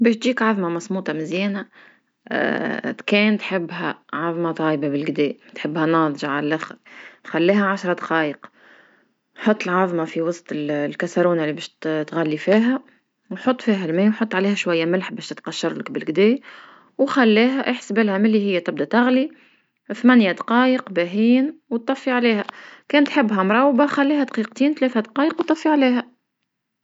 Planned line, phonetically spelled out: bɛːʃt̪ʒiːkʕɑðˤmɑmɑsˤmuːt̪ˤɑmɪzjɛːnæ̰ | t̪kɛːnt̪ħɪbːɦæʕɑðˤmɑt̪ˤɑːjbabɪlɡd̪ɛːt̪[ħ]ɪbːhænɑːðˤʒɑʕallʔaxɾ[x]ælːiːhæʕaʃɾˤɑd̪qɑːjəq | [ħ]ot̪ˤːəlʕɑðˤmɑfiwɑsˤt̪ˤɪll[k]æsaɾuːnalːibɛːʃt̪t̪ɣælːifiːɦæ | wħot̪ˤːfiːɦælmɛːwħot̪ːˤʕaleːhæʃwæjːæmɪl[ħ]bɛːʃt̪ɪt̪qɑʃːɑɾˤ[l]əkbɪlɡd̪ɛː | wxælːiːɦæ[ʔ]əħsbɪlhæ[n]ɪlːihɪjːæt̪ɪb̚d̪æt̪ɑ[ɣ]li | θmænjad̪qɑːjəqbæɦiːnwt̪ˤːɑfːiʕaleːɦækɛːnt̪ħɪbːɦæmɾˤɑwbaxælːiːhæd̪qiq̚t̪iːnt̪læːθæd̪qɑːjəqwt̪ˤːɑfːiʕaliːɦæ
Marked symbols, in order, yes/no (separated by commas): yes, yes, yes, yes, yes, yes, yes, no, yes